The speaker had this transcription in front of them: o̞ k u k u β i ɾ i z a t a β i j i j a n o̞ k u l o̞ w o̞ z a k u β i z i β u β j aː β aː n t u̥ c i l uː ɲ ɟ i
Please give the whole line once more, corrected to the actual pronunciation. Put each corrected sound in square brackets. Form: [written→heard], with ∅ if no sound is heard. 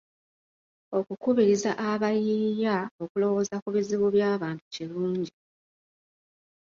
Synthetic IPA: o̞ k u k u β i ɾ i z a [t→ʔ] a β [i→a] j i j a [n→∅] o̞ k u l o̞ w o̞ z a k u β i z i β u β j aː β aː n t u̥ c i l uː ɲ ɟ i